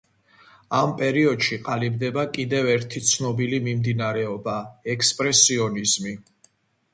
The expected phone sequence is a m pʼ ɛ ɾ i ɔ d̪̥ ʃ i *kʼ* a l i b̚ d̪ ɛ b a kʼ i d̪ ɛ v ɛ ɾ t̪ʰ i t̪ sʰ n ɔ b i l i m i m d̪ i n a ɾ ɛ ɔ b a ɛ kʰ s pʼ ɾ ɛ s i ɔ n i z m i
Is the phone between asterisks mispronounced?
yes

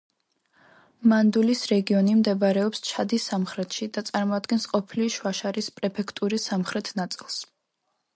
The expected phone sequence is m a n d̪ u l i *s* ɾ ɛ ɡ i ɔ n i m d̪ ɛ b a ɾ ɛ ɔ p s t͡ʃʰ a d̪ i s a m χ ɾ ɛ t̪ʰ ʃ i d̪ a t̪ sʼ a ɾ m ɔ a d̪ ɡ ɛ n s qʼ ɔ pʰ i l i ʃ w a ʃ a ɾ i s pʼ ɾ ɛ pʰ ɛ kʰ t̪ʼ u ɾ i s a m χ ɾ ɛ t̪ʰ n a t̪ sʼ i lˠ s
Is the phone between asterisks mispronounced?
no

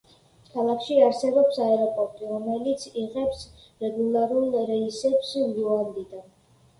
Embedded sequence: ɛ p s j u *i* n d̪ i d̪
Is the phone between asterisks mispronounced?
yes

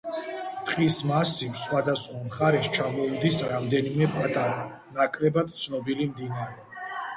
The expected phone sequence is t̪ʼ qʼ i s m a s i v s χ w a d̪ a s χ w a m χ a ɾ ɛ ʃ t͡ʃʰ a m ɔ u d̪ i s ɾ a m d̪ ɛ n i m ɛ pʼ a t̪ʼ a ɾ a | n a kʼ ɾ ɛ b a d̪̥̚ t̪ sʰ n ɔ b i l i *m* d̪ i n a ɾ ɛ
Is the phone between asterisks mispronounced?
no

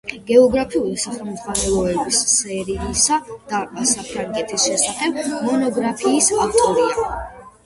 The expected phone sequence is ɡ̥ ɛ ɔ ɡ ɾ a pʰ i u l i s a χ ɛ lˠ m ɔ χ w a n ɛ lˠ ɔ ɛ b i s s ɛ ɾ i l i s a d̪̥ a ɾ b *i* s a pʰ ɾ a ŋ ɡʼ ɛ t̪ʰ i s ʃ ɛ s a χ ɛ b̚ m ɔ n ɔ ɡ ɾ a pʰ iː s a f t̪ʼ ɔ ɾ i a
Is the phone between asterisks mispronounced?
yes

